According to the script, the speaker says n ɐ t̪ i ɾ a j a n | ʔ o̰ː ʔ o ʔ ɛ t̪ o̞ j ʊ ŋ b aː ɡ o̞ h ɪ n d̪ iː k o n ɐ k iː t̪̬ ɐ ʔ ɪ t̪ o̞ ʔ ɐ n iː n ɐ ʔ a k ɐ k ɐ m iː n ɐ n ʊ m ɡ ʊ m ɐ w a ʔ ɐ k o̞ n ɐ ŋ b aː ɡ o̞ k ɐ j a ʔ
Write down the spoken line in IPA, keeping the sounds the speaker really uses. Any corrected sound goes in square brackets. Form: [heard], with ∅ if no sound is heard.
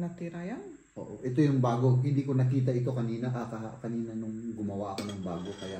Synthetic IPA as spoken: n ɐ t̪ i ɾ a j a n | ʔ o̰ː ʔ o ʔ ɛ t̪ o̞ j ʊ ŋ b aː ɡ o̞ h ɪ n d̪ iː k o n ɐ k iː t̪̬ ɐ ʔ ɪ t̪ o̞ [k] ɐ n iː n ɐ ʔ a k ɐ k ɐ [n] iː n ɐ n ʊ [ŋ] ɡ ʊ m ɐ w a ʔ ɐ k o̞ n ɐ ŋ b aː ɡ o̞ k ɐ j a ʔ